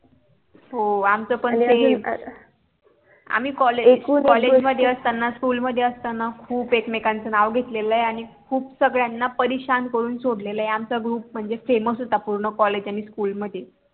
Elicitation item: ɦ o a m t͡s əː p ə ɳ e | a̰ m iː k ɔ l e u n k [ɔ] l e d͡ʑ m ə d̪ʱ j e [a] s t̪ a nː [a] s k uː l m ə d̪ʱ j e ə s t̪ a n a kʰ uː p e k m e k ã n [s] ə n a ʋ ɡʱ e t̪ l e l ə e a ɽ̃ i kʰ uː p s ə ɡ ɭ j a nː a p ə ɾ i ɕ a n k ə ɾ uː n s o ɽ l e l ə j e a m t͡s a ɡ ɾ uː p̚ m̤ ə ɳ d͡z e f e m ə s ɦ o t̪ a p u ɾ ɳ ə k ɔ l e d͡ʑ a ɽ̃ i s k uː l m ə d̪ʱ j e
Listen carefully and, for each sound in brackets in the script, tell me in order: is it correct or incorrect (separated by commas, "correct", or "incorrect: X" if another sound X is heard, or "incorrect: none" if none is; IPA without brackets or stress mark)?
correct, incorrect: ə, correct, incorrect: t͡s